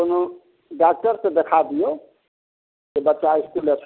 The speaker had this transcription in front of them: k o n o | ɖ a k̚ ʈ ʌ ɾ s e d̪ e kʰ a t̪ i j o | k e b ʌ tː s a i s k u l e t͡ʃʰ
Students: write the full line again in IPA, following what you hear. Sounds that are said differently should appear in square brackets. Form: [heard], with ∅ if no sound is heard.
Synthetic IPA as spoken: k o n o | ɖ a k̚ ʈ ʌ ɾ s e d̪ e kʰ a [d̪] i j o | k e b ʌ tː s a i s k u l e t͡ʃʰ